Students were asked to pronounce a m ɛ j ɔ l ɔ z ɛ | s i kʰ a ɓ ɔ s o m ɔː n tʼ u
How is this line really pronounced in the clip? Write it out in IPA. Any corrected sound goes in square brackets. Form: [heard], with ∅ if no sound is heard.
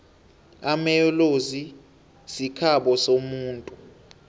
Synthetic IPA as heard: a m ɛ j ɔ l [o] z [i] | s i kʰ a ɓ ɔ s o m [uː] n tʼ u